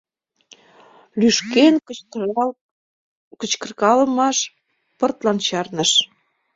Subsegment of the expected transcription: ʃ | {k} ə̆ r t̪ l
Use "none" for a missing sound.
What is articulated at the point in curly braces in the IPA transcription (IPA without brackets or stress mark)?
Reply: p